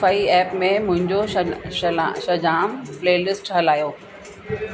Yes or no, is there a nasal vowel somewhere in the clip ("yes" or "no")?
yes